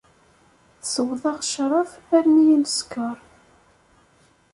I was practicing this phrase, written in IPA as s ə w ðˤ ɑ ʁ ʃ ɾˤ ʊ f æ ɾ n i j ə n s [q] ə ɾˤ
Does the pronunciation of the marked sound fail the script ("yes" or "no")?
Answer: yes